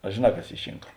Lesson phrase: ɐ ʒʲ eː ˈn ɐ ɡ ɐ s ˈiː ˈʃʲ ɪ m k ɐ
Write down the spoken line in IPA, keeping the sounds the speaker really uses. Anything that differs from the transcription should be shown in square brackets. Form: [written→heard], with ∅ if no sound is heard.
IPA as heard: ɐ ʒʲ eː ˈn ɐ [ɡ→k] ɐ s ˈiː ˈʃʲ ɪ [m→ŋ] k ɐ